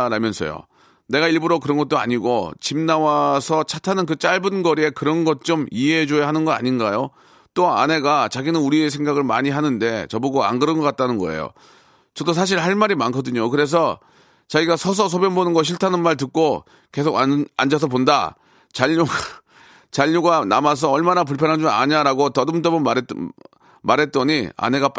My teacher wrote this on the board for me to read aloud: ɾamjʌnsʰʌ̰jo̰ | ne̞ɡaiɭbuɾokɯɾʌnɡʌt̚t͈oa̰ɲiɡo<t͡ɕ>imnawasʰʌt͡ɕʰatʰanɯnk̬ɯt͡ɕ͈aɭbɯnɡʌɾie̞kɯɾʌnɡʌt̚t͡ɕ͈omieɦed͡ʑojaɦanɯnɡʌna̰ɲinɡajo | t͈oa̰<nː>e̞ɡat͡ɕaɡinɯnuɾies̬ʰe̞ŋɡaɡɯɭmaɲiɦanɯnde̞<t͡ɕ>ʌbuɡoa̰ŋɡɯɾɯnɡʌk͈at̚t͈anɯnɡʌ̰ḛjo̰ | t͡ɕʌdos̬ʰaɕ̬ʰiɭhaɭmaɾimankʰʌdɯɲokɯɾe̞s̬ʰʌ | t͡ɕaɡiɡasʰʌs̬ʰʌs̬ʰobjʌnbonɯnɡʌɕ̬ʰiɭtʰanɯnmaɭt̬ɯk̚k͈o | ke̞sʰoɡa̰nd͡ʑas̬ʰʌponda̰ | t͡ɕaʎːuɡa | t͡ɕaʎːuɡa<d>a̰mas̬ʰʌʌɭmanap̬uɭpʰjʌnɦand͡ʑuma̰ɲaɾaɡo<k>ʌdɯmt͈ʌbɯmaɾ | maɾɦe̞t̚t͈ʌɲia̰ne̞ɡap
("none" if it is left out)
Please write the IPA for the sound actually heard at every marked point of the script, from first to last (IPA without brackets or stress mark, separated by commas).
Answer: t͡ɕ, n, t͡ɕ, n, t